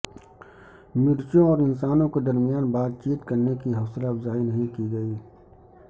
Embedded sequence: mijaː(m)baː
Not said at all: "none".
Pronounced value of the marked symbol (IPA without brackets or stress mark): n